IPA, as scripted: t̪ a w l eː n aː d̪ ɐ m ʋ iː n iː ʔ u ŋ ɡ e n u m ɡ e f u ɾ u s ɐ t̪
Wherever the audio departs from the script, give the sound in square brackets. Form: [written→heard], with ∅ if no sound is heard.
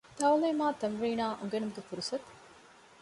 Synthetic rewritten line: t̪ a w l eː [n→m] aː [d̪→t̪] ɐ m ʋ iː n [iː→aː] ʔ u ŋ ɡ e n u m ɡ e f u ɾ u s ɐ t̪